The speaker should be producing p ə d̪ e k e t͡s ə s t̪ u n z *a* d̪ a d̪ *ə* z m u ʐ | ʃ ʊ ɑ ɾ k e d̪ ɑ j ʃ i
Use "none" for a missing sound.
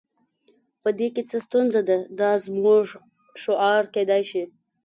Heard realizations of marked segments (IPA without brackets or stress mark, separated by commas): a, ɑ